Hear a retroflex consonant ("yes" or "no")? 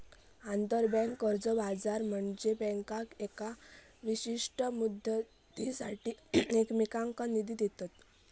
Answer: yes